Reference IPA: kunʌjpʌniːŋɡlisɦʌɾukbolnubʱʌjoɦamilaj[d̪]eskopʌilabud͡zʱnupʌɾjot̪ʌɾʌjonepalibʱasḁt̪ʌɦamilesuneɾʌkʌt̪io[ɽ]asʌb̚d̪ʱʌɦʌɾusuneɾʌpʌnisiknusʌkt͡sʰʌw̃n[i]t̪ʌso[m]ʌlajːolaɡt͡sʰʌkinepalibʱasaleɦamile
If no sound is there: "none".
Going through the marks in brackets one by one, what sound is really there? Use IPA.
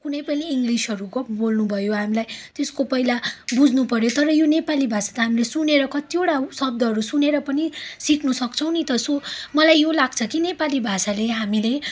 t̪, ɽ, i, m

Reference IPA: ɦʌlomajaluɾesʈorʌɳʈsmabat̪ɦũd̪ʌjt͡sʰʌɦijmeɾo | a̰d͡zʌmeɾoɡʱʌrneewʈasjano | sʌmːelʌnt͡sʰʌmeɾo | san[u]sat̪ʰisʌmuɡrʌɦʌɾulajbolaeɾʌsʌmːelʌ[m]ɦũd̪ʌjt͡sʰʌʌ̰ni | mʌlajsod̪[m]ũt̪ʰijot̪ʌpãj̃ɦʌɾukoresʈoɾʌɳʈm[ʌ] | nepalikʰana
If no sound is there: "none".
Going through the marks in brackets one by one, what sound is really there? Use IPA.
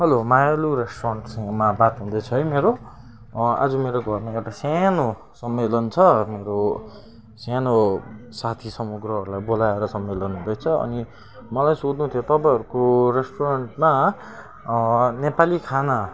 o, n, n, a

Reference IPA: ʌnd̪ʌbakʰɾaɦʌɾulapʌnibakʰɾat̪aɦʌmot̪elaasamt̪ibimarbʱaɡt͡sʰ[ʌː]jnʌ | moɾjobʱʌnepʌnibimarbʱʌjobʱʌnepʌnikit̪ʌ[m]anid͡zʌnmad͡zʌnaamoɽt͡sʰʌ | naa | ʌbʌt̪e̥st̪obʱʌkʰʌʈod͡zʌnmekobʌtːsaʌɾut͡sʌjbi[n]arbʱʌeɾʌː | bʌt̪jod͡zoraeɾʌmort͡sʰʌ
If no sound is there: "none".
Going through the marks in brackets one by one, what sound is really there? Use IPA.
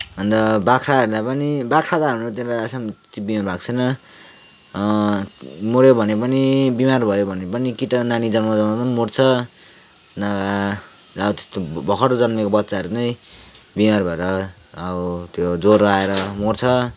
ʌ, n, m

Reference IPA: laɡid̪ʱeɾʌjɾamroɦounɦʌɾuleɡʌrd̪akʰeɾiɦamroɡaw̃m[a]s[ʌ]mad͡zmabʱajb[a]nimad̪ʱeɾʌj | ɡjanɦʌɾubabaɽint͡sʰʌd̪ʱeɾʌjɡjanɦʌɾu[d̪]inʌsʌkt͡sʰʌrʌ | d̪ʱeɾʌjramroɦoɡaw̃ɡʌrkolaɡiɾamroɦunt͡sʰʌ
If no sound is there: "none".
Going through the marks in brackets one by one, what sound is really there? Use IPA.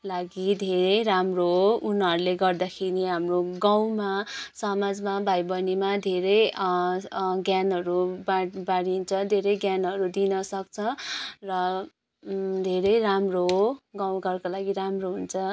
a, ʌ, ʌ, d̪

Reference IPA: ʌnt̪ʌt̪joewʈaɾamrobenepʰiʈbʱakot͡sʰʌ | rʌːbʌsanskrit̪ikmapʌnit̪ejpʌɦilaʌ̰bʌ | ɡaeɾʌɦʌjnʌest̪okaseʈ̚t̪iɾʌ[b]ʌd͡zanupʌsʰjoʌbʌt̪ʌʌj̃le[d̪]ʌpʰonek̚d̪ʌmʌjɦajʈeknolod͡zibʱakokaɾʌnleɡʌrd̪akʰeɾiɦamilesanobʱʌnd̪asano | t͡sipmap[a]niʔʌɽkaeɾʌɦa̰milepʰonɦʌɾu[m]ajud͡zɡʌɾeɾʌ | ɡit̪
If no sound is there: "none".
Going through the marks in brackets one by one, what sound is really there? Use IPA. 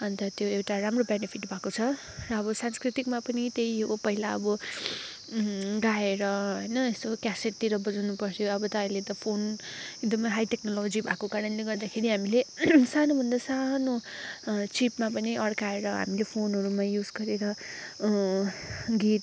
b, t̪, ʌ, m

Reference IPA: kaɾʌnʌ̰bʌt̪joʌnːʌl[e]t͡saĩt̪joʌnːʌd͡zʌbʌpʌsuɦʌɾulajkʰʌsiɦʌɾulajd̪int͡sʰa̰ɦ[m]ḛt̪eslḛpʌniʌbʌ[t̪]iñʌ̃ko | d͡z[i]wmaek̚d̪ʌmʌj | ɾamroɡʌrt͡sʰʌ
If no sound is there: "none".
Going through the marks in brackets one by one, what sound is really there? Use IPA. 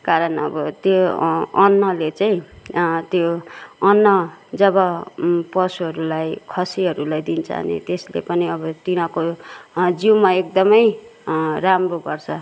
e, n, t̪, i

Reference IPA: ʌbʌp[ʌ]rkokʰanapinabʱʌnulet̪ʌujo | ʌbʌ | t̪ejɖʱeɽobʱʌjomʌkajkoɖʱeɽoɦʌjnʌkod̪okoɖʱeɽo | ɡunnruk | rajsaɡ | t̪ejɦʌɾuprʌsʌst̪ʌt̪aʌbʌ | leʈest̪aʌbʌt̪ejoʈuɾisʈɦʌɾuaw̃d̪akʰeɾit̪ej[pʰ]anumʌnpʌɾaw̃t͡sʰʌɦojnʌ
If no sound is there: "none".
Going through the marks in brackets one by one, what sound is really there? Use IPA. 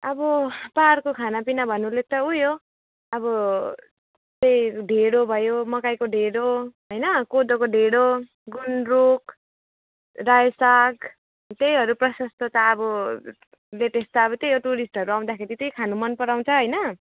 a, kʰ

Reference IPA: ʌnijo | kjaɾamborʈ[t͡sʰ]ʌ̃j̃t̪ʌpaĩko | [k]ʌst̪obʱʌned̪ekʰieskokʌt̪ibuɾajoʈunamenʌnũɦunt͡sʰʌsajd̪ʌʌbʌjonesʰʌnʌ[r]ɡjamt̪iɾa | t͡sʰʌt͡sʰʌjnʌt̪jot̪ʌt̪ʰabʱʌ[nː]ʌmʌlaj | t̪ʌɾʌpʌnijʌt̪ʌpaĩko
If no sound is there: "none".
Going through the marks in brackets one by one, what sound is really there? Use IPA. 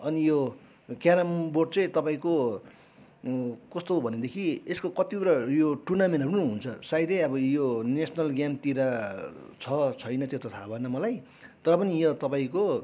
t͡s, k, l, n

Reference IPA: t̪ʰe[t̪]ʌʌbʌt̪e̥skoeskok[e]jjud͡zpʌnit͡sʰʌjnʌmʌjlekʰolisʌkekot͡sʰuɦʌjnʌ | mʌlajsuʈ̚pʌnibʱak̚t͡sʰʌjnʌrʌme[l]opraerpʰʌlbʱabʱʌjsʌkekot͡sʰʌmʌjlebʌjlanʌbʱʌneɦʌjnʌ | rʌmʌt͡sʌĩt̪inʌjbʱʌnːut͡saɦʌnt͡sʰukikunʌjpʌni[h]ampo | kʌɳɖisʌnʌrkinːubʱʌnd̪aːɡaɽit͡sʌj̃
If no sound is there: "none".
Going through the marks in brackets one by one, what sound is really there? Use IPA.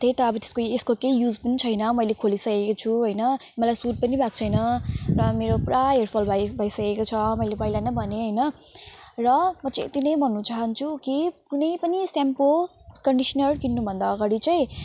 t̪, e, ɾ, s

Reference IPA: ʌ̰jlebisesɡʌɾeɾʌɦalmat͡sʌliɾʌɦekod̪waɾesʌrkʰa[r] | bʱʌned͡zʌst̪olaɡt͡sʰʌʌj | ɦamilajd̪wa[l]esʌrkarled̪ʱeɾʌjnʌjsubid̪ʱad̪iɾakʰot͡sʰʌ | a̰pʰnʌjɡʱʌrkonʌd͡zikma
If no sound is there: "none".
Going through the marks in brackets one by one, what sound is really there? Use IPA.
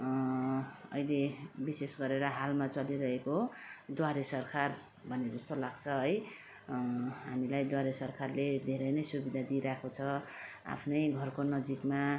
r, ɾ

